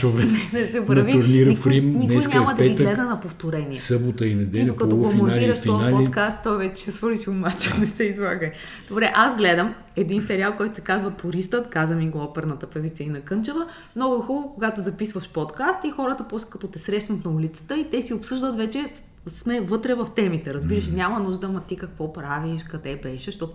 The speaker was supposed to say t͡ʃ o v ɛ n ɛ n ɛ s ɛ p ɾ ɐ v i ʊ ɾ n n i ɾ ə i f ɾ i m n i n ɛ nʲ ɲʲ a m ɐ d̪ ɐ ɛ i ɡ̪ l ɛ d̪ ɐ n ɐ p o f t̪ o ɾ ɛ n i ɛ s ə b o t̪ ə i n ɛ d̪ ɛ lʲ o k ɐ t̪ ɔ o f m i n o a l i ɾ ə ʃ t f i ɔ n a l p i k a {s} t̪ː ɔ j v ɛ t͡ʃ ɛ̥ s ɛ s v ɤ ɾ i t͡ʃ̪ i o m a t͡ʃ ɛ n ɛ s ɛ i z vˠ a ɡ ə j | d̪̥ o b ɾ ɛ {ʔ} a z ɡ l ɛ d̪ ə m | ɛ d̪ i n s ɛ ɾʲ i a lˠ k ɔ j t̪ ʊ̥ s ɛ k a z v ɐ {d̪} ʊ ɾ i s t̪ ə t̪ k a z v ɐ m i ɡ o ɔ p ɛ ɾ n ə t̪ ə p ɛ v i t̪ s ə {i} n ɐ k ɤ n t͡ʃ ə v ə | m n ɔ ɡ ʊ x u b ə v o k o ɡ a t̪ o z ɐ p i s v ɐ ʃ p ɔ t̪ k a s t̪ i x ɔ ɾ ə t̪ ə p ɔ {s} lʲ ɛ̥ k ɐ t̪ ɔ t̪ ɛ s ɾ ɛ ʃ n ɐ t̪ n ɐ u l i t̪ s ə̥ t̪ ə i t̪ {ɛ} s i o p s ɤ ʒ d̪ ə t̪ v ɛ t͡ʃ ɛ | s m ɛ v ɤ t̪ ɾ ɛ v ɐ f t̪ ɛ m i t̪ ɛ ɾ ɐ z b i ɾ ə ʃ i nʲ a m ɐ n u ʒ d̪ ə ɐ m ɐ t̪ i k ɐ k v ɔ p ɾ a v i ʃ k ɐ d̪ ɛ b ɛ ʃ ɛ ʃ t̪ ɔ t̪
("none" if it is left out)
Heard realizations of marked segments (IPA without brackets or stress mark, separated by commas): s, ʔ, t̪, i, s, ɛ